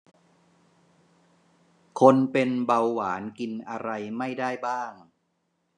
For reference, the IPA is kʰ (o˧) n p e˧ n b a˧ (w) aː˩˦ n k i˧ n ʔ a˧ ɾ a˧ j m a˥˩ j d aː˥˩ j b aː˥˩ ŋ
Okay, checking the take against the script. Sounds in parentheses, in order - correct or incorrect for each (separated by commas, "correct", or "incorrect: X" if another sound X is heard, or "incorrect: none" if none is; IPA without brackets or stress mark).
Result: correct, incorrect: wː